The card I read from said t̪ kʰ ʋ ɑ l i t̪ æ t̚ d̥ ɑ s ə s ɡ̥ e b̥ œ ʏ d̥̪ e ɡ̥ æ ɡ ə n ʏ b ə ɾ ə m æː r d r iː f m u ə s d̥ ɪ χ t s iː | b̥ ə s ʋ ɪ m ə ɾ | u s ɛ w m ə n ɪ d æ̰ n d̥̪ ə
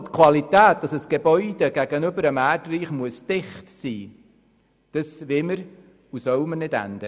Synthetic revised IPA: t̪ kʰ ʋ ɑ l i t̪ æː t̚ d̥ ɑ s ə s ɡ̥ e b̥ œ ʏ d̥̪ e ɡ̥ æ ɡ ə n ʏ b ə ɾ ə m æː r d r iː χ m u ə s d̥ ɪ χ t s iː | d̥ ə s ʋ ɪ m ə ɾ | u s œ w m ə n ɪ d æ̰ n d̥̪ ə